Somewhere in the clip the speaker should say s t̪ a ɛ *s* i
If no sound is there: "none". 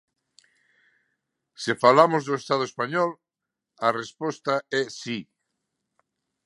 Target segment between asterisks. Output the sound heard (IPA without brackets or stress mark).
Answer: s